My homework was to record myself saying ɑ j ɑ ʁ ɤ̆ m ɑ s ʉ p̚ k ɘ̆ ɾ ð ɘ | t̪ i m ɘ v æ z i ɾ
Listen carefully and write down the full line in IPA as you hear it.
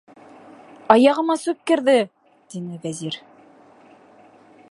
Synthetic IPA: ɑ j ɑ ʁ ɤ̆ m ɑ s ʉ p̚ k ɘ̆ ɾ ð ɘ | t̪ i n ɘ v æ z i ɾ